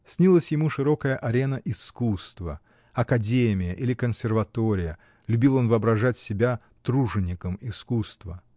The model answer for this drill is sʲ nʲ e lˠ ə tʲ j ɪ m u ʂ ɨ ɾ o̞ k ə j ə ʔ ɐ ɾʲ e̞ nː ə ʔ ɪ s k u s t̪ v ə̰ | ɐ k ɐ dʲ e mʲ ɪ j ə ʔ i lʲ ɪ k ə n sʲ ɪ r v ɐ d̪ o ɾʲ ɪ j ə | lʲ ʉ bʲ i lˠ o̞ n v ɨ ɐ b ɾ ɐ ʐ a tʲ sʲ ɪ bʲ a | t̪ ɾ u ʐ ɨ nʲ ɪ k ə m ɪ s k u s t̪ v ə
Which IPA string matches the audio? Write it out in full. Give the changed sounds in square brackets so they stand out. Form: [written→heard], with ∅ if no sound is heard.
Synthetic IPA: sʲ nʲ [e→i] lˠ ə [tʲ→sʲ] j ɪ m u ʂ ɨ ɾ o̞ k ə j ə ʔ ɐ ɾʲ e̞ [nː→n] ə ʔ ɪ s k u s t̪ v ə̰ | ɐ k ɐ dʲ e mʲ ɪ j ə ʔ i lʲ ɪ k ə n sʲ ɪ r v ɐ [d̪→t̪] o ɾʲ ɪ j ə | lʲ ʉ bʲ i lˠ o̞ n v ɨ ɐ b ɾ ɐ ʐ a tʲ sʲ ɪ bʲ a | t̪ ɾ u ʐ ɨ nʲ ɪ k ə m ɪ s k u s t̪ v ə